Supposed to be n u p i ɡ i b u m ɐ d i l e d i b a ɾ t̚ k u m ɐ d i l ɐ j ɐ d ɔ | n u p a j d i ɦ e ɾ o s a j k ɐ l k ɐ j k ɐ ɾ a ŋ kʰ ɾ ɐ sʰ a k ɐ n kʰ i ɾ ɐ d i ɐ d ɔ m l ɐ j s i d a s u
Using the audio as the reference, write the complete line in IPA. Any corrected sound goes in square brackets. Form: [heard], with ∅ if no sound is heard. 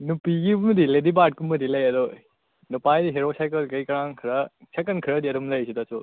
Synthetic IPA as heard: n u p i ɡ i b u m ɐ d i l e d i b a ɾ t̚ k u m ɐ d i l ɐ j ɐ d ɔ | n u p a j d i ɦ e ɾ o s a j k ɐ l k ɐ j k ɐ ɾ a ŋ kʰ ɾ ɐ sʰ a k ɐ n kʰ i ɾ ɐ d i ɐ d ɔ m l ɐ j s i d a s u